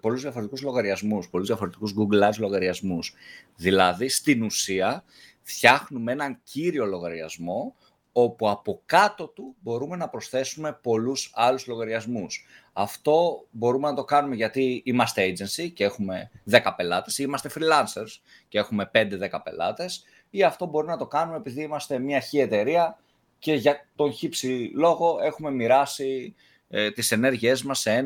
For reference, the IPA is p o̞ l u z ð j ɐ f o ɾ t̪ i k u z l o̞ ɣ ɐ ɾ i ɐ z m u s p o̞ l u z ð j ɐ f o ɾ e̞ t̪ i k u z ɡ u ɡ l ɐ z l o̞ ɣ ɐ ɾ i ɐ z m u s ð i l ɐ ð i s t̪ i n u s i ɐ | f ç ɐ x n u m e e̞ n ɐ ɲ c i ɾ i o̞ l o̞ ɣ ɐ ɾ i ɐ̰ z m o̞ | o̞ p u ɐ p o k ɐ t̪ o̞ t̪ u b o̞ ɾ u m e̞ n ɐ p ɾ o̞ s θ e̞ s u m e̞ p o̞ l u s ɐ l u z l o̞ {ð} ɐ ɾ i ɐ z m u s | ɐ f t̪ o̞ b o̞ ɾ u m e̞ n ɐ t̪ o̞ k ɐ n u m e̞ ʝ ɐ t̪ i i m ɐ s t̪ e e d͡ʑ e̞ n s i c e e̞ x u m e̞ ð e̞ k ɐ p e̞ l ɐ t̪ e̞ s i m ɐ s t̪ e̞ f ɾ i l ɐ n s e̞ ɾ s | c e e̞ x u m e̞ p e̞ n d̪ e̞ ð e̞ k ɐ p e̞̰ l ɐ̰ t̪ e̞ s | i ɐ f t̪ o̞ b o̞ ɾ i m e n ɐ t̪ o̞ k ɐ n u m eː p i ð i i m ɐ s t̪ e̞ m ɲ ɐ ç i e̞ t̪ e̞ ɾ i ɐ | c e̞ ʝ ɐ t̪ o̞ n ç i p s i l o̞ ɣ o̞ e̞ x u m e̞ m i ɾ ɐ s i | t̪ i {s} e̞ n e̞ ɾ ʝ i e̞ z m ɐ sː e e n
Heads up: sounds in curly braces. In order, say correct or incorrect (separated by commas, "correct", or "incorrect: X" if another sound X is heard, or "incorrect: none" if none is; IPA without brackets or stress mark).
incorrect: ɣ, correct